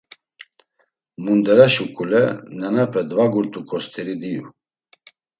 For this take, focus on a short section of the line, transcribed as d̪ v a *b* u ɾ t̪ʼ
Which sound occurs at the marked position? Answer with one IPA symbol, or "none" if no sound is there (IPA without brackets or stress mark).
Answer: ɡ